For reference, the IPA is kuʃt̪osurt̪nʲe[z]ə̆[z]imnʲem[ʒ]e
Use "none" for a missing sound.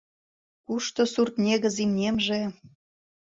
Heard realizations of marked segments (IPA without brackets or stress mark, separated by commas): ɣ, z, ʒ